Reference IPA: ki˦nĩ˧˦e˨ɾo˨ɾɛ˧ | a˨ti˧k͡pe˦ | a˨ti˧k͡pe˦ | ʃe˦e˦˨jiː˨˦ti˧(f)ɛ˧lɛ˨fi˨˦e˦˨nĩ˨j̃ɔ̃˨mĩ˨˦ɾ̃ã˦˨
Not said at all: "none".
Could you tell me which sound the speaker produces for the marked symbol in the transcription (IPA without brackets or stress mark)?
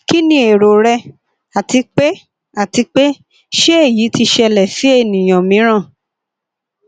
ʃ